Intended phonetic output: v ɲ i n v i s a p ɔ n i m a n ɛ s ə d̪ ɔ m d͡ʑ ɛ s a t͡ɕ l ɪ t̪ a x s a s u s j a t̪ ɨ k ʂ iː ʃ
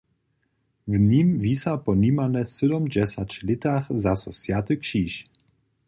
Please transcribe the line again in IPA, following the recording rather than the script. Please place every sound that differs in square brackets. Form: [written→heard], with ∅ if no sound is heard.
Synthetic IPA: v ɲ i [n→m] v i s a p ɔ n i m a n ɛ s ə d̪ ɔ m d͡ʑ ɛ s a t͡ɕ l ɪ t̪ a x [s→z] a s [u→ɔ] s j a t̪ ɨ k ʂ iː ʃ